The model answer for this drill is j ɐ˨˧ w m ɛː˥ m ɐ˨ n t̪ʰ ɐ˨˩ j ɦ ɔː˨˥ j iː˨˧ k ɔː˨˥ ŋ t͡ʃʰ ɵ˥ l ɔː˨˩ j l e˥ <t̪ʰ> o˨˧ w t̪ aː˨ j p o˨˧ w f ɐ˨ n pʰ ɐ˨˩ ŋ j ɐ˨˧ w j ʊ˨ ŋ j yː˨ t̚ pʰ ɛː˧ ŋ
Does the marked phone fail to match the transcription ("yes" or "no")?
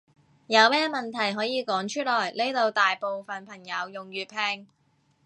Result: yes